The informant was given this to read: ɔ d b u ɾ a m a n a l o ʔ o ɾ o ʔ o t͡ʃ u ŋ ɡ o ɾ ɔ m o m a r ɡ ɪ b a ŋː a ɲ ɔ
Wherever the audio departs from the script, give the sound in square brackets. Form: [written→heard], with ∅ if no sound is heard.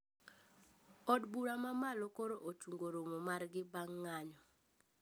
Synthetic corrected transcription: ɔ d b u ɾ a m a [n→m] a l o [ʔ→k] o ɾ o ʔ o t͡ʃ u ŋ ɡ o ɾ [ɔ→o] m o m a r ɡ ɪ b a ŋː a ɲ ɔ